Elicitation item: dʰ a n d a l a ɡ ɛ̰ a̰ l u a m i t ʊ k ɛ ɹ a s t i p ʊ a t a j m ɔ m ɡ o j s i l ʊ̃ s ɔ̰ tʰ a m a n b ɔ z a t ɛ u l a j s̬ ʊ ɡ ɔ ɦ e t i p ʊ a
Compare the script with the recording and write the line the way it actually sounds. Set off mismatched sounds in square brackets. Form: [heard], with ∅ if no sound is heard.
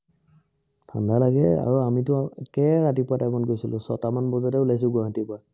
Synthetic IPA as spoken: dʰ a n d a l a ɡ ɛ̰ a̰ [ɹ] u a m i t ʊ k ɛ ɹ a [∅] t i p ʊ a t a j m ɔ [n] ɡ o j s i l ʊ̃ s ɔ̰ [t] a m a n b ɔ z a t ɛ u l a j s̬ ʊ ɡ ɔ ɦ [a] t i p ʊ a